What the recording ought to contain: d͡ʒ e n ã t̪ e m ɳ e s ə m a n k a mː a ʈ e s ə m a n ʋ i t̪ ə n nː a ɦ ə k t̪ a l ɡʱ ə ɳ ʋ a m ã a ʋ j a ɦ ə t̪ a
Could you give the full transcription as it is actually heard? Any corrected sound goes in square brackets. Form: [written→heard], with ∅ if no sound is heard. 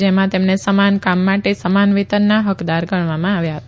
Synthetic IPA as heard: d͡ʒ e [n→m] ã t̪ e m [ɳ→n] e s ə m a n k a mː a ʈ e s ə m a n ʋ i t̪ ə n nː a ɦ ə k [t̪→d̪] a [l→ɾ] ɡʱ ə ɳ ʋ a m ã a ʋ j a ɦ ə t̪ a